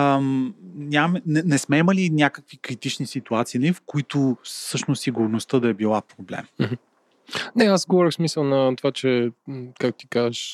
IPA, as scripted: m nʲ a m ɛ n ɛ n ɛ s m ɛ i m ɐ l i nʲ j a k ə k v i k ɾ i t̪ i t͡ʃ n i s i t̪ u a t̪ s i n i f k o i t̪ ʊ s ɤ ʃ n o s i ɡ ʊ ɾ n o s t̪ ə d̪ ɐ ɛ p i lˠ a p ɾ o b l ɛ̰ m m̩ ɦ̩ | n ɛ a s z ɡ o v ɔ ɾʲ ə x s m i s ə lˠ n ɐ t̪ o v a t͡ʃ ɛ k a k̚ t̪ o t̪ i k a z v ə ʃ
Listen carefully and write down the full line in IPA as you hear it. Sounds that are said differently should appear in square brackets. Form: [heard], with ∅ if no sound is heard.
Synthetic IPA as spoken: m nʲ a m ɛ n ɛ n ɛ s m ɛ i m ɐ l i nʲ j a k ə k v i k ɾ i t̪ i t͡ʃ n i s i t̪ u a t̪ s i n i f k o i t̪ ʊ s ɤ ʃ n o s i ɡ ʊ ɾ n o s t̪ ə d̪ ɐ ɛ [b] i lˠ a p ɾ o b l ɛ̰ m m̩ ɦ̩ | n ɛ a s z ɡ o v ɔ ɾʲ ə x s m i s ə lˠ n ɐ t̪ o v a t͡ʃ ɛ k a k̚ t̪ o t̪ i k a z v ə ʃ